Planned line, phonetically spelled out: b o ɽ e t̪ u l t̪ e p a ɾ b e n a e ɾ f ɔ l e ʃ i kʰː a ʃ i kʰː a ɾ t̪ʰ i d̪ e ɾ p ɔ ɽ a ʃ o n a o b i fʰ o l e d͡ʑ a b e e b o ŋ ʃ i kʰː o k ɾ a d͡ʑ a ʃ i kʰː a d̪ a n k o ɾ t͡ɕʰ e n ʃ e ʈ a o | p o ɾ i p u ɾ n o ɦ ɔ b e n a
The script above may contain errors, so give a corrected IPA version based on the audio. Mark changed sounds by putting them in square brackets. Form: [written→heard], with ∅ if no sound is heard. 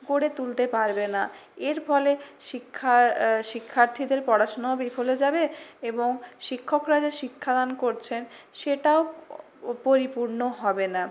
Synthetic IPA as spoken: [b→ɡ] o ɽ e t̪ u l t̪ e p a ɾ b e n a e ɾ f ɔ l e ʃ i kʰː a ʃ i kʰː a ɾ t̪ʰ i d̪ e ɾ p ɔ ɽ a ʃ o n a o b i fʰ o l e d͡ʑ a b e e b o ŋ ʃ i kʰː o k ɾ a d͡ʑ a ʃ i kʰː a d̪ a n k o ɾ t͡ɕʰ e n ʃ e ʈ a o | p o ɾ i p u ɾ n o ɦ ɔ b e n a